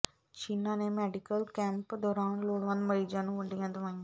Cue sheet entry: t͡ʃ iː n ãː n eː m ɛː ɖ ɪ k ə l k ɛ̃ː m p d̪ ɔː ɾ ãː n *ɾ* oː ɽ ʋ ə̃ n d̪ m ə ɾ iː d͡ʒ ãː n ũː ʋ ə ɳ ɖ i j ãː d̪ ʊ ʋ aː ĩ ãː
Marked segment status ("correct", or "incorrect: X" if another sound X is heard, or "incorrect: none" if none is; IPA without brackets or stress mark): incorrect: l